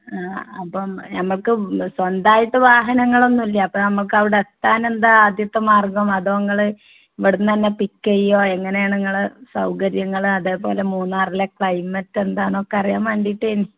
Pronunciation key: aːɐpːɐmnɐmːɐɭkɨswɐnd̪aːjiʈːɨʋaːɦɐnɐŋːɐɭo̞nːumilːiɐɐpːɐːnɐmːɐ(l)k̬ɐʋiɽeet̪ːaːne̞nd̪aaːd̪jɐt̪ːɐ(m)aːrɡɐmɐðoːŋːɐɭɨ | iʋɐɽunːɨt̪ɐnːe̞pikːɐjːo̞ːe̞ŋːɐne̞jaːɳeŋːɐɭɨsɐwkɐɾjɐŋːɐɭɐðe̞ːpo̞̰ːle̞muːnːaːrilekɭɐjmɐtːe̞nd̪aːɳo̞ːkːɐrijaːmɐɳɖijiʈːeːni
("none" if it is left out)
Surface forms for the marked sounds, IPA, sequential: ɭ, m

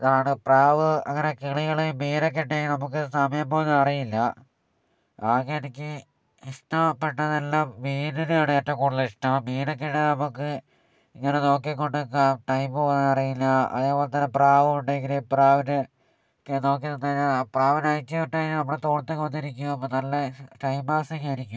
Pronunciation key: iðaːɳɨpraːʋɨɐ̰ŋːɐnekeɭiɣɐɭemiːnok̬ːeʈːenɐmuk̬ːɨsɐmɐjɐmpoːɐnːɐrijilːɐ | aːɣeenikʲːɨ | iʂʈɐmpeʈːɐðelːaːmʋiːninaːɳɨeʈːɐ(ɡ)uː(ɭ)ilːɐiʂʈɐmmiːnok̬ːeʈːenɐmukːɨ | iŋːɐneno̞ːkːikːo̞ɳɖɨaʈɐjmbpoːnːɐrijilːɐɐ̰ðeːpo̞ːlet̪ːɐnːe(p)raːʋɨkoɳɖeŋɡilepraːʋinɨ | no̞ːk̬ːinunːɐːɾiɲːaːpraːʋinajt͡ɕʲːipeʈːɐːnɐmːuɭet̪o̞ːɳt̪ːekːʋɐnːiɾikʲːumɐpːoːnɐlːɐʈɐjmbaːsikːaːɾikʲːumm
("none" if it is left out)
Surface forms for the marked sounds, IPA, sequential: k, ɽ, p

